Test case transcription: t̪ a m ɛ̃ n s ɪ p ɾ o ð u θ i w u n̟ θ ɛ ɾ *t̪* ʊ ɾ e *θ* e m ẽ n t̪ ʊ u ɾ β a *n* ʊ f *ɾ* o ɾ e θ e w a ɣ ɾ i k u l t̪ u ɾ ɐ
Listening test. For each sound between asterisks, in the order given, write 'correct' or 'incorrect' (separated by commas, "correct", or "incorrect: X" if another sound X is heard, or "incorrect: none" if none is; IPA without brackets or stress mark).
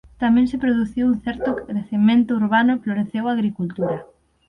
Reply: correct, correct, correct, incorrect: l